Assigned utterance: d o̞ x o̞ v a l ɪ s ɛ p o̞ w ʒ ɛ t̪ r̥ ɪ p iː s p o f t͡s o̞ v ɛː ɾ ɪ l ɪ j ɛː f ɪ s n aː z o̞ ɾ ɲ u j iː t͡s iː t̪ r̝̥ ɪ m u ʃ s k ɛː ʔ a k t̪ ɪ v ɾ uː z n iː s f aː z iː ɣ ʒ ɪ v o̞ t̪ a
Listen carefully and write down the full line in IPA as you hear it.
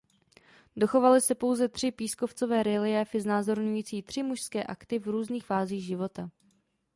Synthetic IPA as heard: d o̞ x o̞ v a l ɪ s ɛ p o̞ w z ɛ t̪ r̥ ɪ p iː s k o f t͡s o̞ v ɛː ɾ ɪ l ɪ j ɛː f ɪ z n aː z o̞ ɾ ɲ u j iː t͡s iː t̪ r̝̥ ɪ m u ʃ s k ɛː ʔ a k t̪ ɪ v ɾ uː z n iː x f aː z iː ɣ ʒ ɪ v o̞ t̪ a